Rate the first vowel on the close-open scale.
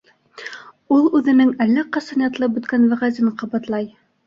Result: close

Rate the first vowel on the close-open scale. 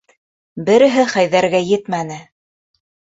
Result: mid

